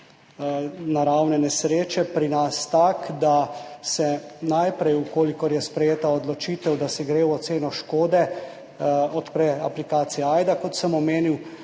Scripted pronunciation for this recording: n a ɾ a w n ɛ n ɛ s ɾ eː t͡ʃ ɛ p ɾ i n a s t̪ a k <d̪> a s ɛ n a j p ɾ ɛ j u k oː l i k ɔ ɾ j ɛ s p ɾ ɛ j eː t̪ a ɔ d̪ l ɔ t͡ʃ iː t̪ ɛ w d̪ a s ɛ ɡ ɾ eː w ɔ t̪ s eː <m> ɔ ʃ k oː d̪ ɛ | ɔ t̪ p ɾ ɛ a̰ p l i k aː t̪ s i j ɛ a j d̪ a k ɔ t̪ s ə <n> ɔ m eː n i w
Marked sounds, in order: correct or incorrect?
correct, incorrect: n, incorrect: m

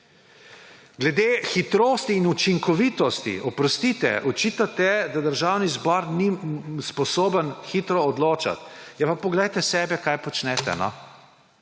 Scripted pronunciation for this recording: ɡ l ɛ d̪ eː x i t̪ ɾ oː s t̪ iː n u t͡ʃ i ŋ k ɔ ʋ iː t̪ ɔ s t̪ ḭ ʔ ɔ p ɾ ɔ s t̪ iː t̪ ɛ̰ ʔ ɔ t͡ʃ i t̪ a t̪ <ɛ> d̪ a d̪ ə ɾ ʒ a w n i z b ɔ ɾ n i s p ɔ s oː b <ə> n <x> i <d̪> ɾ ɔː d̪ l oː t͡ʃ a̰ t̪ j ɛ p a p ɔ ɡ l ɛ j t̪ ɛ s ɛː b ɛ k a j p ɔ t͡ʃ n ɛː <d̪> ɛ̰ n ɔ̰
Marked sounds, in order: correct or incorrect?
correct, correct, correct, incorrect: t̪, incorrect: t̪

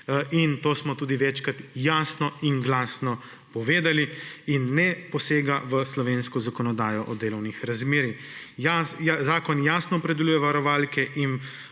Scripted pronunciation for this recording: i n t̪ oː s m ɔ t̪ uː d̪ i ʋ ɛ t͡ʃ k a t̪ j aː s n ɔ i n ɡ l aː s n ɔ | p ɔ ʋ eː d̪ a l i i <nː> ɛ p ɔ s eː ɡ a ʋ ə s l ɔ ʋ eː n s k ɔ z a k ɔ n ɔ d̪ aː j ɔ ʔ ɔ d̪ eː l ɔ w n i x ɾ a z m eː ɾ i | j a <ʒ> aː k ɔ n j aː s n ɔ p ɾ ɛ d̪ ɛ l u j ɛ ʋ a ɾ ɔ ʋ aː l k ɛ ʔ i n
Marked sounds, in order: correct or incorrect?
correct, incorrect: z

